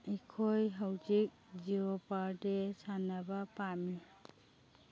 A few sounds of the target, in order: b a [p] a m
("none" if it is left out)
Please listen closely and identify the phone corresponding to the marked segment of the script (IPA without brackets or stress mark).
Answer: p